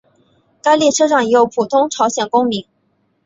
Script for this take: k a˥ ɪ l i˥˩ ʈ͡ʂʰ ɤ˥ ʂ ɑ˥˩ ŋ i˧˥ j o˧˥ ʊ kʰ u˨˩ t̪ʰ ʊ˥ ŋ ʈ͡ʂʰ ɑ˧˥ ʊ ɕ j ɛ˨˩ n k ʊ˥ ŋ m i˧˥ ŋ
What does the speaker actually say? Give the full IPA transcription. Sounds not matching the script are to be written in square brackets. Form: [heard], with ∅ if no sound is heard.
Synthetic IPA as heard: k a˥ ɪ l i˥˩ ʈ͡ʂʰ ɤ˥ ʂ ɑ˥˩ ŋ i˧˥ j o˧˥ ʊ [pʰ] u˨˩ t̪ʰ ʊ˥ ŋ ʈ͡ʂʰ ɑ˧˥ ʊ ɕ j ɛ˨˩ n k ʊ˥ ŋ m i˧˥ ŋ